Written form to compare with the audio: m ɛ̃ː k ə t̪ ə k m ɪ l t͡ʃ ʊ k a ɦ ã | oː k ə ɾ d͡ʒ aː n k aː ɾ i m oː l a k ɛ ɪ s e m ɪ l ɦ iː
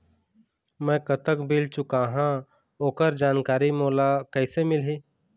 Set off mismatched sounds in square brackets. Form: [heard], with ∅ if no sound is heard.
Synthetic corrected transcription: m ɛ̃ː k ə t̪ ə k [b] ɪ l t͡ʃ ʊ k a ɦ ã | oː k ə ɾ d͡ʒ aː n k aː ɾ i m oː l a k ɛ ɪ s e m ɪ l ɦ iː

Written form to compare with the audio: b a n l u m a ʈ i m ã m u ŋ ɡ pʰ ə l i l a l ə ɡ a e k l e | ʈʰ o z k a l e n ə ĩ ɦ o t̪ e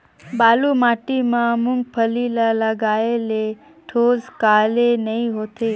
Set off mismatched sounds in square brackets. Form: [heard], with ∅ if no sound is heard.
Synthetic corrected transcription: b a [∅] l u m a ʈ i m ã m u ŋ ɡ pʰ ə l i l a l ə ɡ a e [∅] l e | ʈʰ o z k a l e n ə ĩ ɦ o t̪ e

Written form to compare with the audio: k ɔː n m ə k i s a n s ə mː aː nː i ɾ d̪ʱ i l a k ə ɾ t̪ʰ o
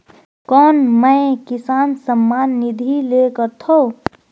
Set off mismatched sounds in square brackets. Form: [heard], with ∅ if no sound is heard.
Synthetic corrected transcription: k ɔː n m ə k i s a n s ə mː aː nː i [∅] d̪ʱ i l [e] k ə ɾ t̪ʰ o

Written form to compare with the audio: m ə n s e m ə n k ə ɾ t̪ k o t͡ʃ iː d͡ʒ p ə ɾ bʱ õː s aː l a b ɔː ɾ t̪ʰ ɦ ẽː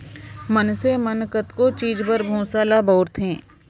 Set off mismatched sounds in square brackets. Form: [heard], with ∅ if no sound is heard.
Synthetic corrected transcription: m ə n s e m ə n k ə [∅] t̪ k o t͡ʃ iː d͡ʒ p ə ɾ bʱ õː s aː l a b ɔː ɾ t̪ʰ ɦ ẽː

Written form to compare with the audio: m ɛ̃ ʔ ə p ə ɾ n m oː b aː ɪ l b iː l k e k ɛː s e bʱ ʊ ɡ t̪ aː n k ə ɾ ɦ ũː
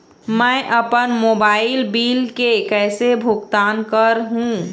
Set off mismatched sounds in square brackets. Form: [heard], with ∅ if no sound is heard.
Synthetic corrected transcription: m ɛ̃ ʔ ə p ə [∅] n m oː b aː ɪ l b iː l k e k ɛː s e bʱ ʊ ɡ t̪ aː n k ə ɾ ɦ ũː

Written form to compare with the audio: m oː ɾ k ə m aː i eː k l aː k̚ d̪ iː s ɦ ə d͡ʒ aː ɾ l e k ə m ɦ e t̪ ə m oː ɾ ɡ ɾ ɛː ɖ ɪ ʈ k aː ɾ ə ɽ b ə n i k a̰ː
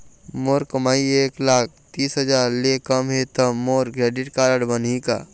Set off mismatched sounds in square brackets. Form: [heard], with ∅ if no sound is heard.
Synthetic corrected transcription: m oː ɾ k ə m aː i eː k l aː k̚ [t̪] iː s ɦ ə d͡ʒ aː ɾ l e k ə m ɦ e t̪ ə m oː ɾ ɡ ɾ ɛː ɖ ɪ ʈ k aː ɾ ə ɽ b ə n i k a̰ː

